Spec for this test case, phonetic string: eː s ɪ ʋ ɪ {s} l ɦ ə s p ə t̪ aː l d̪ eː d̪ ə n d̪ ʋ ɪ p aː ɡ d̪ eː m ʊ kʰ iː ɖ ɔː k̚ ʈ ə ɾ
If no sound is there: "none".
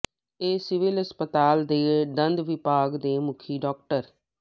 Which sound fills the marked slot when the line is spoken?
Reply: none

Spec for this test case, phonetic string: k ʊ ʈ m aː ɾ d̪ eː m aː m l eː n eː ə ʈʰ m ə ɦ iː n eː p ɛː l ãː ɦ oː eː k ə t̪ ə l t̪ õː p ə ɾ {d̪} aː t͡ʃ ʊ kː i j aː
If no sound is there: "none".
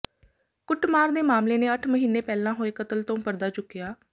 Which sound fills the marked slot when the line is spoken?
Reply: d̪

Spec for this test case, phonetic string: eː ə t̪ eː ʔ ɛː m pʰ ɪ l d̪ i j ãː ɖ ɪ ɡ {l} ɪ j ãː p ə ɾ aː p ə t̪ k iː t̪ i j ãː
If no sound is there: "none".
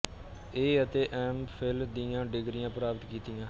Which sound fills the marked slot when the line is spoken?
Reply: ɾ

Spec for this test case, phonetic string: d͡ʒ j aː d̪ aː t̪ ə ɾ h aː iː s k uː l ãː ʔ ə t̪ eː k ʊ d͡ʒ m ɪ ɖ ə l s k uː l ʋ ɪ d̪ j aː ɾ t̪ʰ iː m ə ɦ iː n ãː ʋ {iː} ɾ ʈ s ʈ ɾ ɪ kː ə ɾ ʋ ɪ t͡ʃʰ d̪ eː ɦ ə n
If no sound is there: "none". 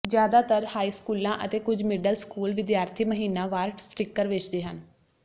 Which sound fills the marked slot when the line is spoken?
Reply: aː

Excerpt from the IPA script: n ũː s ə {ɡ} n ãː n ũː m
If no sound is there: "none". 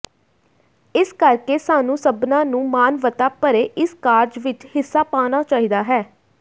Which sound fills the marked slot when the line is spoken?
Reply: b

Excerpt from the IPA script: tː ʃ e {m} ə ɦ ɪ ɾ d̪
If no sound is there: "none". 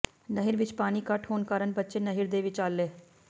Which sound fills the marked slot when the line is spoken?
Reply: n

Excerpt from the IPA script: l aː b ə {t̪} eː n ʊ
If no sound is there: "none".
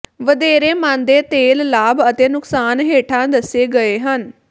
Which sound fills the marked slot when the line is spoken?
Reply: t̪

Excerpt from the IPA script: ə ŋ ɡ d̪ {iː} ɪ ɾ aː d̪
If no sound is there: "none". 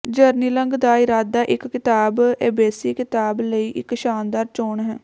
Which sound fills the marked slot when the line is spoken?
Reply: aː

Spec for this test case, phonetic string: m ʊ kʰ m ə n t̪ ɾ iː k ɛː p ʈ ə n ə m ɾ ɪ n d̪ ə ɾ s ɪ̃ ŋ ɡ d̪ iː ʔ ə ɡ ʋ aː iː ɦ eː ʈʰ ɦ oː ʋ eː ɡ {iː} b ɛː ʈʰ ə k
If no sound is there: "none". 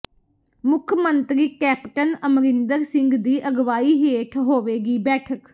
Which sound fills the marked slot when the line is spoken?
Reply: iː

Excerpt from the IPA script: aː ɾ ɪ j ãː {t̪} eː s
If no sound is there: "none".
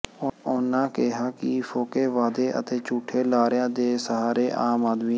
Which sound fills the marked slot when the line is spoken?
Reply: d̪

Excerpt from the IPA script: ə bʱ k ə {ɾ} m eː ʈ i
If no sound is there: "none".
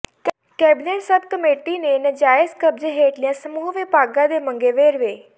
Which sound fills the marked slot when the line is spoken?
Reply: none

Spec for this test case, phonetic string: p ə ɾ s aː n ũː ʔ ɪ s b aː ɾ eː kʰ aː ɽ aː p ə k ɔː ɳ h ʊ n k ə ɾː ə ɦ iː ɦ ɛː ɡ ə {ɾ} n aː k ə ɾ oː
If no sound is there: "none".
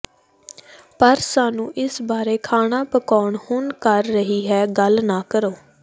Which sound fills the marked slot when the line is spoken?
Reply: l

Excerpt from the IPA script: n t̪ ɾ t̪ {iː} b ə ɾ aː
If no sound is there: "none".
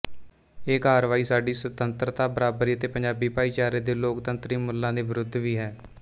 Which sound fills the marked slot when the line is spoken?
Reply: aː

